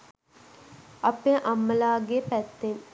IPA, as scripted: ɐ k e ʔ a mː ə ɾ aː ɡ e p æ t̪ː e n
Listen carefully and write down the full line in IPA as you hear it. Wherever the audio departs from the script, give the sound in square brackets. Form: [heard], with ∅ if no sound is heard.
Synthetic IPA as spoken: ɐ [p] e ʔ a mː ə [l] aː ɡ e p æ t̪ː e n

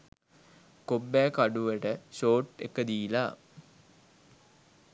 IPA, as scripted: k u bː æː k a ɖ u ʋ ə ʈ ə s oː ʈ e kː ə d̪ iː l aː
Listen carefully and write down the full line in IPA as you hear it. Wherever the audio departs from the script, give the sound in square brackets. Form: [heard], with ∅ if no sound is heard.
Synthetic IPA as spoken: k [o] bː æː k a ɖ u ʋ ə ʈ ə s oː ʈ e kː ə d̪ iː l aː

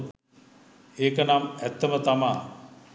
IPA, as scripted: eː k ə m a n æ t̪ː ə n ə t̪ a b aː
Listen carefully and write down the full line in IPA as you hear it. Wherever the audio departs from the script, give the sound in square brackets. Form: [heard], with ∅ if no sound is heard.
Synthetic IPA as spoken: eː k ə [n] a [m] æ t̪ː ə [m] ə t̪ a [m] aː

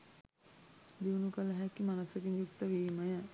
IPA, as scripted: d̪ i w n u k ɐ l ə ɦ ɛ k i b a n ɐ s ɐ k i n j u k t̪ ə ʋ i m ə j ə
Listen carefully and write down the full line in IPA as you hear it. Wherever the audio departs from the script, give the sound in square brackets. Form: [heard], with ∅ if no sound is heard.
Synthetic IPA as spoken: d̪ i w n u k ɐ l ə ɦ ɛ k i [m] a n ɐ s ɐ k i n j u k t̪ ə ʋ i m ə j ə

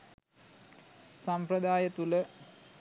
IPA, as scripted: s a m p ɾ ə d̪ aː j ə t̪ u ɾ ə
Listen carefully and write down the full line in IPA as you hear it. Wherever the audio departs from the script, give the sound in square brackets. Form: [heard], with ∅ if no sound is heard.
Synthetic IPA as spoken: s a m p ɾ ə d̪ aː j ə t̪ u [l] ə

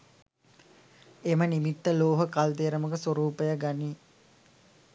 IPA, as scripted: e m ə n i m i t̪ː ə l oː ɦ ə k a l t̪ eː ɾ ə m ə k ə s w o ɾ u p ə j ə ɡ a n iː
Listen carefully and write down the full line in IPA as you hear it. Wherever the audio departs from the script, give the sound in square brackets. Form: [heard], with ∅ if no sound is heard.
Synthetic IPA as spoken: e m ə n i m i t̪ː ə l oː ɦ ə k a l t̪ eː ɾ ə m ə k ə s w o ɾ [uː] p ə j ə ɡ a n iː

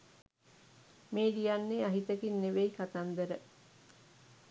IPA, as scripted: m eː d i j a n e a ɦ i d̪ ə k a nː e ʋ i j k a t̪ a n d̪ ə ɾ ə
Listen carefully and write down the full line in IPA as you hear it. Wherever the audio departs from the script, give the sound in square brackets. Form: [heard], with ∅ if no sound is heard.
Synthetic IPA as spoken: m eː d i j a [nː] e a ɦ i [t̪] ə k [i] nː e ʋ [e] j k a t̪ a n d̪ ə ɾ ə

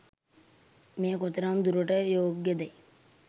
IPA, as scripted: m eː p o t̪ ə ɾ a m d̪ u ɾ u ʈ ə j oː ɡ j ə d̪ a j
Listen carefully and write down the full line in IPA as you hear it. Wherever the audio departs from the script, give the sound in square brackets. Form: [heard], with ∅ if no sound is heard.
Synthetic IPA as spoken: m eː [k] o t̪ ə ɾ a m d̪ u ɾ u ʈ ə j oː ɡ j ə d̪ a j

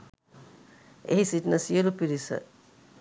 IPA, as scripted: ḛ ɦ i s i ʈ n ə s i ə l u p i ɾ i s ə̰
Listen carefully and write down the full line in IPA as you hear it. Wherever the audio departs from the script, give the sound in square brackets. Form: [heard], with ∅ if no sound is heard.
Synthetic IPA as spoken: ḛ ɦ i s i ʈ n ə s i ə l u p i ɾ i s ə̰

